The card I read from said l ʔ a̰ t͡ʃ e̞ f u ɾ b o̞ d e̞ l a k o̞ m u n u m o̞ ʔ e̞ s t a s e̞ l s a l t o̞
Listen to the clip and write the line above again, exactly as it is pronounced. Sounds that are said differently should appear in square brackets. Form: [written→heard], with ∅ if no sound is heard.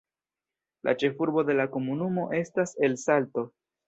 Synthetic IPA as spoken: l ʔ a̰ t͡ʃ e̞ f u ɾ b o̞ d e̞ l a k o̞ m u n u m o̞ ʔ e̞ s t a s e̞ l s a l t o̞